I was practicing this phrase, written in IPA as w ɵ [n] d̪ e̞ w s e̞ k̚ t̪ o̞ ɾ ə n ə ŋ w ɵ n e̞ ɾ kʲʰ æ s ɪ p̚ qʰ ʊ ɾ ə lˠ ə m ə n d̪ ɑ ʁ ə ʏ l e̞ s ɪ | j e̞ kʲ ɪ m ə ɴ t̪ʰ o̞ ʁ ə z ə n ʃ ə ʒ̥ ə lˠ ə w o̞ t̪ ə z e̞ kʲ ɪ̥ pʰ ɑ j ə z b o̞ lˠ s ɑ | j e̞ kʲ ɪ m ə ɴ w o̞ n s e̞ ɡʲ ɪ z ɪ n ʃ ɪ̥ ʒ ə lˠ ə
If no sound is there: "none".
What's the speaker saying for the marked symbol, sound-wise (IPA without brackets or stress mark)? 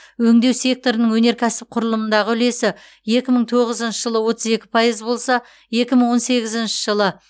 ŋ